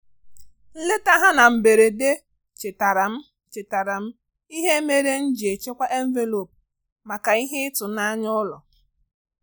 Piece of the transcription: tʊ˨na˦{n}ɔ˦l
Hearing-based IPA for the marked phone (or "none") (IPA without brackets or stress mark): ɲ